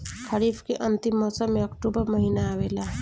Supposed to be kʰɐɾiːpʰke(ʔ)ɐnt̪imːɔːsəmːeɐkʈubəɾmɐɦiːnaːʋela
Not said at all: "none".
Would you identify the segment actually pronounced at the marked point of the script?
ʔ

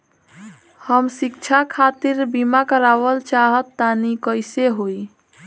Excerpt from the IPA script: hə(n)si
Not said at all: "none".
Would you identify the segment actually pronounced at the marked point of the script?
m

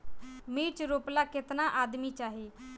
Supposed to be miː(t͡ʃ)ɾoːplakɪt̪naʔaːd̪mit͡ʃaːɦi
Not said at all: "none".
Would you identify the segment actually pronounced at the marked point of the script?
t͡ʃ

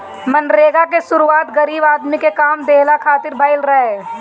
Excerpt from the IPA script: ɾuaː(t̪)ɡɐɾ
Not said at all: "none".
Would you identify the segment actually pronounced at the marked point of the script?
t̪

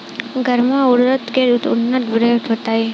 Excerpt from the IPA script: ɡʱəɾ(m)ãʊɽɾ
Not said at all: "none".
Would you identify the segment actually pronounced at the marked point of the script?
m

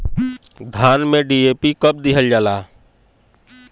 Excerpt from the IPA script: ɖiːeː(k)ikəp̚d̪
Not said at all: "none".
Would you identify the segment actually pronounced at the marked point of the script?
p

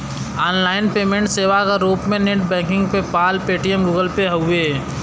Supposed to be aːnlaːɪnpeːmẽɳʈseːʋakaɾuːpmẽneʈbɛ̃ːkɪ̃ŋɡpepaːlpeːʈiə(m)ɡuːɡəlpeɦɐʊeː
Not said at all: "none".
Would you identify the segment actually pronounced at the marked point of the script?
m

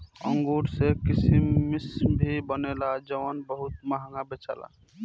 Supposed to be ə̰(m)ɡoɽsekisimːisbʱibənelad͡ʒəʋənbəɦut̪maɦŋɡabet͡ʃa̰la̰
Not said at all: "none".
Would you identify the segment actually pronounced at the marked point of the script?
ŋ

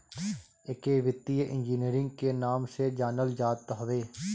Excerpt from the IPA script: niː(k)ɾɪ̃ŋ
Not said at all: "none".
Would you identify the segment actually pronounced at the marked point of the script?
none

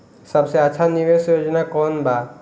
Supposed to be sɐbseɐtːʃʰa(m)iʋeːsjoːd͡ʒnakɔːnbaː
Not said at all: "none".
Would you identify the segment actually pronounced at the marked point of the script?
n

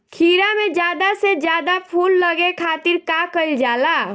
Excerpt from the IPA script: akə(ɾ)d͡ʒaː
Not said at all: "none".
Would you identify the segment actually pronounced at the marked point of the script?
l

